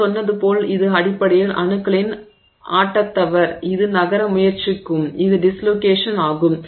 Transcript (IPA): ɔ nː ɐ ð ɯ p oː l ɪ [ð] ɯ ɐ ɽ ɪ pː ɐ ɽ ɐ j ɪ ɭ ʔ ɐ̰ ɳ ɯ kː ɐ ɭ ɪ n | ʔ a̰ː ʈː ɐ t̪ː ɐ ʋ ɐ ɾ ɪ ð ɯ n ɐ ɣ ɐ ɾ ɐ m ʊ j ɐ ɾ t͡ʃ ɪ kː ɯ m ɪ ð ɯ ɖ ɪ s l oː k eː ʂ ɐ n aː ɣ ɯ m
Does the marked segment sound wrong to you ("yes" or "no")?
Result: no